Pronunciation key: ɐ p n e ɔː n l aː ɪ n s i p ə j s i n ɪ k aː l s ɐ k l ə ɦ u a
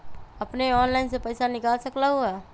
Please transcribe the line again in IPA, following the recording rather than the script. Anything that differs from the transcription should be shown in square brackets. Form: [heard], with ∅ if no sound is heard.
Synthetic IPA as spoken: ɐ p n e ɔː n l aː ɪ n s [e] p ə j s [a] n ɪ k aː l s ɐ k l [a] ɦ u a